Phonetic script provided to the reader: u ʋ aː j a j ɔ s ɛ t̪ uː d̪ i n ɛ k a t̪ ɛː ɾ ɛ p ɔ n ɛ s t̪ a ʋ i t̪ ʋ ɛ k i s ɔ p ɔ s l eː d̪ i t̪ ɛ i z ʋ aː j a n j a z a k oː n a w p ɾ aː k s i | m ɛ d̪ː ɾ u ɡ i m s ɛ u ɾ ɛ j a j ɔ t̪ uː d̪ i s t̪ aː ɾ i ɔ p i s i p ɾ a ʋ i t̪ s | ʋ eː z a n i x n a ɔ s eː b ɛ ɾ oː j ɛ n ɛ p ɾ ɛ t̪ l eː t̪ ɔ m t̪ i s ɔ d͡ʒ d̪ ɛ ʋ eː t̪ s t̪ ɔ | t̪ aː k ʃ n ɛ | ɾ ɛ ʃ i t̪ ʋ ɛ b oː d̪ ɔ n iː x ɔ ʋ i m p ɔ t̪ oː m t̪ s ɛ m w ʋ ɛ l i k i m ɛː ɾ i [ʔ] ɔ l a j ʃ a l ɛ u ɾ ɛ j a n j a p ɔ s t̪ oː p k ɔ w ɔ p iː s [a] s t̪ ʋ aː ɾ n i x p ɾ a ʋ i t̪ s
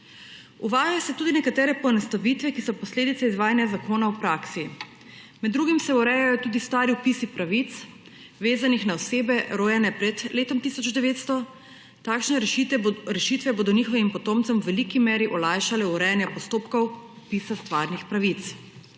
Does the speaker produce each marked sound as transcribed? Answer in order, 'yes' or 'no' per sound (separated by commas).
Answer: yes, yes